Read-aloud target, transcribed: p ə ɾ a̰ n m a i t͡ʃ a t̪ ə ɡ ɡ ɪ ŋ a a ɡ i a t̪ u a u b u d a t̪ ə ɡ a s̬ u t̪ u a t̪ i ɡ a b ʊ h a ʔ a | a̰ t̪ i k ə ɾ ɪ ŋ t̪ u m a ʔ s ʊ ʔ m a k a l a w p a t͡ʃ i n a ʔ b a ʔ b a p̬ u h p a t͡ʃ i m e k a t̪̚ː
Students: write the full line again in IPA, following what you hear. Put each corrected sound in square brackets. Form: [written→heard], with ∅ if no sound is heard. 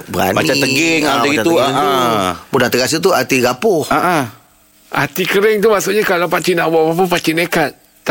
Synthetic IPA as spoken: [p→b] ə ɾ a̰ n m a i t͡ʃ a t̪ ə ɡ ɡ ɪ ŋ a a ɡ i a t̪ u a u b u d a t̪ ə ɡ a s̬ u t̪ u a t̪ i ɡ a [b→p] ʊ h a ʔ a | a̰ t̪ i k ə ɾ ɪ ŋ t̪ u m a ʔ s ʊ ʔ [m→ɲ] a k a l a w p a t͡ʃ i n a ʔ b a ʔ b a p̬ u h p a t͡ʃ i [m→n] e k a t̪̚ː